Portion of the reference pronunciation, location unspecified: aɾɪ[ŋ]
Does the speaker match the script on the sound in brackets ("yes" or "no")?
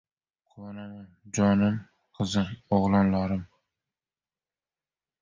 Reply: no